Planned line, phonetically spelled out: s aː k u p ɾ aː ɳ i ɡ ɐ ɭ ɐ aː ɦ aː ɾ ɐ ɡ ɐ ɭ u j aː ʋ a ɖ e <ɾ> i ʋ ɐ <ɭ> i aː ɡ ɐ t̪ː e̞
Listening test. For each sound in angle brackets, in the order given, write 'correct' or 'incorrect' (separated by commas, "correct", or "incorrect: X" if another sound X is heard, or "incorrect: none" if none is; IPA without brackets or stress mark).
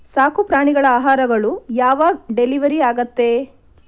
incorrect: l, incorrect: ɾ